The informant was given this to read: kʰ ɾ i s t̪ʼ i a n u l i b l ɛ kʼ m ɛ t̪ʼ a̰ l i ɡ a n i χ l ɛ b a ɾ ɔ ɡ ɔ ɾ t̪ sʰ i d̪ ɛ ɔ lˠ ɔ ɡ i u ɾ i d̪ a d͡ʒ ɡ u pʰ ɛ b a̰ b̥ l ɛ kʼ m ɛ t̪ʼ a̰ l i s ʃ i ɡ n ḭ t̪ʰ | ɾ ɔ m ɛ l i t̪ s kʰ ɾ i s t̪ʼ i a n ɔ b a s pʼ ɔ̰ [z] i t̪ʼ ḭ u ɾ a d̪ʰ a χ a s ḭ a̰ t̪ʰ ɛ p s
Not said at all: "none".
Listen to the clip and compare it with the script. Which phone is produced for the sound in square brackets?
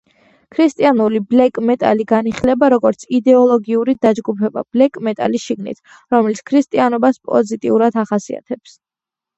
z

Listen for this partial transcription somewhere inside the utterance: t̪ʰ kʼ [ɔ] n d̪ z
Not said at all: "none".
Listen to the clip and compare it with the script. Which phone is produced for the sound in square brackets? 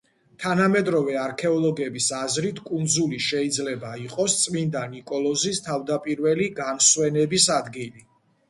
u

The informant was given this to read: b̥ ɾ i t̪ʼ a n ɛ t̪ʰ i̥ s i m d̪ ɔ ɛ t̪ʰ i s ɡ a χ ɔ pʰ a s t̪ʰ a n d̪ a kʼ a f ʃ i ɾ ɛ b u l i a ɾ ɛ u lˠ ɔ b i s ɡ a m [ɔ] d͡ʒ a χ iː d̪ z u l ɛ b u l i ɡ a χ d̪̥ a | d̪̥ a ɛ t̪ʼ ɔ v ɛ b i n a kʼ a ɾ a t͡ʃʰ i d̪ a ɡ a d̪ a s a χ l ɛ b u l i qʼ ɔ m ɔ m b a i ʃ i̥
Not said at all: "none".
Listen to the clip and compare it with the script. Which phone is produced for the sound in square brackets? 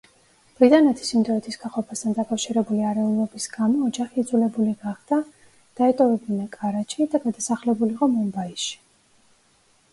ɔː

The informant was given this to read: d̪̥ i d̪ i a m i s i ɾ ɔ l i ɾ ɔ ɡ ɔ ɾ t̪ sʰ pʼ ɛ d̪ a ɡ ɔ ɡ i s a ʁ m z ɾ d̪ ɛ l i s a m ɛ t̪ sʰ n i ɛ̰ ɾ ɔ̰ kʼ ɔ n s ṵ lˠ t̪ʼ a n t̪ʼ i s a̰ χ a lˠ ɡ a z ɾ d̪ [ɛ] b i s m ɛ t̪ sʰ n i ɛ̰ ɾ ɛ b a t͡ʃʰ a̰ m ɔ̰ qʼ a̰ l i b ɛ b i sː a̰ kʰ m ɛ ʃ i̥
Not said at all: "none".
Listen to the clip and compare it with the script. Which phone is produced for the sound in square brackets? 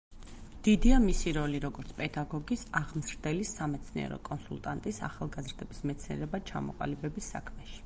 ɛ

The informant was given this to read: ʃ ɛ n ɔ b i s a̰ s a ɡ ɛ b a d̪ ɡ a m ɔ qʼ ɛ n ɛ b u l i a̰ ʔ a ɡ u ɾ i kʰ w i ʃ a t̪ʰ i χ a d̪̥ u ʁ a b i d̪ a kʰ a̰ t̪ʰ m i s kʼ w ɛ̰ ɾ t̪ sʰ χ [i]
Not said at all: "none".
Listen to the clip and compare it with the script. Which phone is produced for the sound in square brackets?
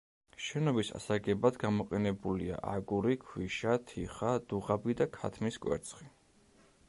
i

